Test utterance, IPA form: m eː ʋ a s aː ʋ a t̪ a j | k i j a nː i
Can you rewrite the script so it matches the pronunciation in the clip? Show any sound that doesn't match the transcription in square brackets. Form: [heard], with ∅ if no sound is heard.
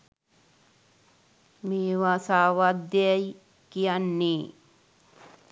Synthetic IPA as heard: m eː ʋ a s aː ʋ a [d̪] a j | k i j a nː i